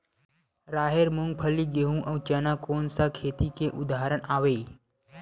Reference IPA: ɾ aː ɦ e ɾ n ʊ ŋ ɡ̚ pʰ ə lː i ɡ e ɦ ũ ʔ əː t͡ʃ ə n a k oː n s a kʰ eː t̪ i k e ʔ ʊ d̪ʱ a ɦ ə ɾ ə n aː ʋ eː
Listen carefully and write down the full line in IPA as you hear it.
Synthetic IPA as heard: ɾ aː ɦ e ɾ m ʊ ŋ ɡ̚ pʰ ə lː i ɡ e ɦ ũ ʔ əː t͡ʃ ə n a k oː n s a kʰ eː t̪ i k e ʔ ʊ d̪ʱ a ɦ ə ɾ ə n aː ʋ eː